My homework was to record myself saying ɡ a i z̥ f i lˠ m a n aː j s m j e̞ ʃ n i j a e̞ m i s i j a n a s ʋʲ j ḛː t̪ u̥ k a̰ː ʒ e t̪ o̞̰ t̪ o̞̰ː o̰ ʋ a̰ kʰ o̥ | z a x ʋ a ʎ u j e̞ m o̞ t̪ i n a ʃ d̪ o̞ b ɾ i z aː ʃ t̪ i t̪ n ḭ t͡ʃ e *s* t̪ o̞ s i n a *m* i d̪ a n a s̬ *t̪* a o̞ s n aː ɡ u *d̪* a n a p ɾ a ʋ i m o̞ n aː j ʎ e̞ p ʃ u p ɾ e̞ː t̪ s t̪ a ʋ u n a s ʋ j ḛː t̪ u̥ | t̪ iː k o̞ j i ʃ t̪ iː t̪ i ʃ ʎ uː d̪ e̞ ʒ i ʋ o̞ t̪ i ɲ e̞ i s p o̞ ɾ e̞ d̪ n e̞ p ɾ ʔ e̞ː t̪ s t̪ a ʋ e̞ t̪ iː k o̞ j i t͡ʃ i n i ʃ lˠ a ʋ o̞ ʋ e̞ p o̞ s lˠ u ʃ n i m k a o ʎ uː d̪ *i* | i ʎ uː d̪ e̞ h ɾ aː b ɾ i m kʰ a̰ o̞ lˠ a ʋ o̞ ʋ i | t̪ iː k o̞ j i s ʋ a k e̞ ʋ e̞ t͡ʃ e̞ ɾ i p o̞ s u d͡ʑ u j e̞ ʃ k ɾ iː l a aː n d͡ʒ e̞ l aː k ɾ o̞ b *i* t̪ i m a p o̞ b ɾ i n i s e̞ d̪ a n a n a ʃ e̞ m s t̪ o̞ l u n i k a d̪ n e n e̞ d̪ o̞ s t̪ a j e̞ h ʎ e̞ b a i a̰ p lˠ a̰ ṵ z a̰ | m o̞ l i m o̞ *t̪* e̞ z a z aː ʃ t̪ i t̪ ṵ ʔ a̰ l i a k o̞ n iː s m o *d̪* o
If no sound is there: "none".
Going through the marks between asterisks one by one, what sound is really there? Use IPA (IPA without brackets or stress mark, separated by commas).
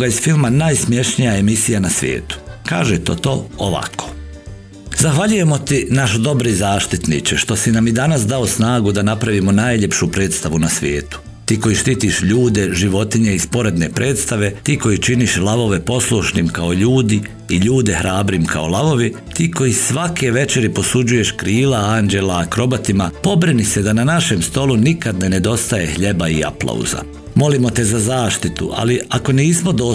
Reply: ʃ, m, d̪, d̪, i, a, t̪, d̪